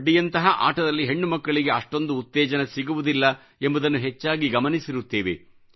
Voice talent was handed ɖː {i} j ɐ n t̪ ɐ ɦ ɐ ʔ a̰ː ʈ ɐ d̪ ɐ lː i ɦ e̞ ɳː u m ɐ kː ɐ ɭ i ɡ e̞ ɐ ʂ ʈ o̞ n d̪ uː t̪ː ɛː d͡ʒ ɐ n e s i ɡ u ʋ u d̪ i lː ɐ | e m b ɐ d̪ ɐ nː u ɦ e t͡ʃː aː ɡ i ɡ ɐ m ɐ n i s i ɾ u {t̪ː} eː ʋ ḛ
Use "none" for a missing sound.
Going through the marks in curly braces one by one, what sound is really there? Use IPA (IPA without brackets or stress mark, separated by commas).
i, t̪ː